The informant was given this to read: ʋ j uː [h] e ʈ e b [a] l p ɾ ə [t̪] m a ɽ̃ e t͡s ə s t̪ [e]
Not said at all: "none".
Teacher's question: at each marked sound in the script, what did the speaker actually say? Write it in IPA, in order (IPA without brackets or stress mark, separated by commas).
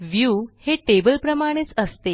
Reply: h, ə, none, e